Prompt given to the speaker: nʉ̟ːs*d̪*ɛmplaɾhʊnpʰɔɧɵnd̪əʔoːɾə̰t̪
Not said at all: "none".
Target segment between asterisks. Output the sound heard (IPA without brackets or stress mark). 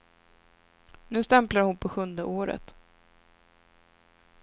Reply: t̪